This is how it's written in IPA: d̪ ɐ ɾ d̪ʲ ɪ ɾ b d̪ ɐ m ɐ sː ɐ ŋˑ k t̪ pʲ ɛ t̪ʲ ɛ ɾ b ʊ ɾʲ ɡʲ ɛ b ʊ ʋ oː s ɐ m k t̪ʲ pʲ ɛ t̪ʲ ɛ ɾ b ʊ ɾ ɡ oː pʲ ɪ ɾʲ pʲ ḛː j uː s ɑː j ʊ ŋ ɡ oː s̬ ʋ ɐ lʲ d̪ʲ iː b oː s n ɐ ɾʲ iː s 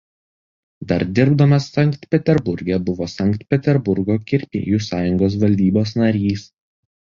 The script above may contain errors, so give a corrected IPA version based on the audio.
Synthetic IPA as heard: d̪ ɐ ɾ d̪ʲ ɪ ɾ b d̪ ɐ m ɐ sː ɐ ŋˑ k t̪ pʲ ɛ t̪ʲ ɛ ɾ b ʊ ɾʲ ɡʲ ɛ b ʊ ʋ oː s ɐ ŋ k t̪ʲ pʲ ɛ t̪ʲ ɛ ɾ b ʊ ɾ ɡ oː kʲ ɪ ɾʲ pʲ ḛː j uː s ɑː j ʊ ŋ ɡ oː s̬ ʋ ɐ lʲ d̪ʲ iː b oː s n ɐ ɾʲ iː s